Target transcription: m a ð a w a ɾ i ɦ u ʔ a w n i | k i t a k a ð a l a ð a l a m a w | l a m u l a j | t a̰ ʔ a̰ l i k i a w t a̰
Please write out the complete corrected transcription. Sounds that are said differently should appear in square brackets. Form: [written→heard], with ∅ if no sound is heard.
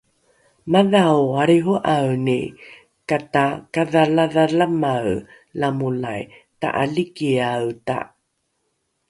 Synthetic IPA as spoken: m a ð a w a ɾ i ɦ u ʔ a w n i | k [i→a] t a k a ð a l a ð a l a m a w | l a m u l a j | t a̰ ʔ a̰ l i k i a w t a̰